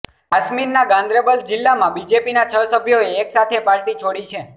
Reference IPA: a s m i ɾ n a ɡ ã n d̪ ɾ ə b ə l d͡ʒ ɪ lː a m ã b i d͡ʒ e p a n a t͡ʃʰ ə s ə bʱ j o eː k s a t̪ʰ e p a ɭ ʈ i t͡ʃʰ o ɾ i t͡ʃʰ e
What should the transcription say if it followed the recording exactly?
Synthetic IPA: a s m i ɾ n a ɡ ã n d̪ ɾ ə b ə l d͡ʒ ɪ lː a m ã b i d͡ʒ e p i n a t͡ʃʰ ə s ə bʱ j o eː k s a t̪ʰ e p a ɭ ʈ i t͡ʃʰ o ɽ i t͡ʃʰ e